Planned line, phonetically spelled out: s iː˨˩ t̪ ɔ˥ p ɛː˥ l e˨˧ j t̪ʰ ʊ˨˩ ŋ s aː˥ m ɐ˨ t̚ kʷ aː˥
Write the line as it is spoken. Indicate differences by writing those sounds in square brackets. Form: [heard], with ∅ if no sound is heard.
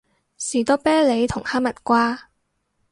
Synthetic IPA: s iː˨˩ t̪ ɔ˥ p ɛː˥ l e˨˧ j t̪ʰ ʊ˨˩ ŋ [h] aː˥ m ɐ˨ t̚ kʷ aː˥

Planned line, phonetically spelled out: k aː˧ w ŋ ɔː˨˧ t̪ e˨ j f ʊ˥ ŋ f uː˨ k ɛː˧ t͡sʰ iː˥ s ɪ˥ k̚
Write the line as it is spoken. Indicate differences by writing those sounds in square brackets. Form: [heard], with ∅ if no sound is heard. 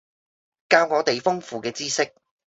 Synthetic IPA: k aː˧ w ŋ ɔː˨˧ t̪ e˨ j f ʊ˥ ŋ f uː˨ k ɛː˧ [t͡s] iː˥ s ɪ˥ k̚

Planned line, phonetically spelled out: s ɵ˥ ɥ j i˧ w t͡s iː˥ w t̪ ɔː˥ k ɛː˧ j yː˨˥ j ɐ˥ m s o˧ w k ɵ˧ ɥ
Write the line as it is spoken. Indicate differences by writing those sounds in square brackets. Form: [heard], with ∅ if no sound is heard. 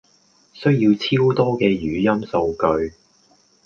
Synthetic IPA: s ɵ˥ ɥ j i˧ w [t͡sʰ] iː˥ w t̪ ɔː˥ k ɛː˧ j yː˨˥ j ɐ˥ m s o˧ w k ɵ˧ ɥ

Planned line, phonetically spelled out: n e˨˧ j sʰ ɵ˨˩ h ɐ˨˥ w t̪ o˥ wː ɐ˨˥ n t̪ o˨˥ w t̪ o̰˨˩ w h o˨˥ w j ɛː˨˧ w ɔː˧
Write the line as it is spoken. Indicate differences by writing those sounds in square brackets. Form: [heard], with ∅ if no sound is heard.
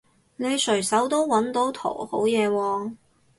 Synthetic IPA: n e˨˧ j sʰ ɵ˨˩ [s] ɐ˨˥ w t̪ o˥ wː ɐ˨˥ n t̪ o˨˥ w [t̪ʰ] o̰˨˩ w h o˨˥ w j ɛː˨˧ w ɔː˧

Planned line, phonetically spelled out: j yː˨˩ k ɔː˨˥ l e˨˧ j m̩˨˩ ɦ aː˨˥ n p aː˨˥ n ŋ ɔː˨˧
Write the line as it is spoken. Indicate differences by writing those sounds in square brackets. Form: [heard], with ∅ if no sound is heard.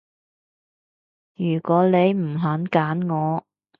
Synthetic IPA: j yː˨˩ k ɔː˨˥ l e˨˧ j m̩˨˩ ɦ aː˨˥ n [k] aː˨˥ n ŋ ɔː˨˧

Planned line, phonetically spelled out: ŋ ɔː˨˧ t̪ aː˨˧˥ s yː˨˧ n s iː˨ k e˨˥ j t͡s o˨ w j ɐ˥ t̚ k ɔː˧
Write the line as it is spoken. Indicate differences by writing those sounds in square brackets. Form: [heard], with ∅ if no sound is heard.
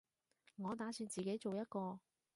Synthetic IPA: ŋ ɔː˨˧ t̪ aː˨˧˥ s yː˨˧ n [t͡s] iː˨ k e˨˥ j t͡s o˨ w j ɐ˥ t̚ k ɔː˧

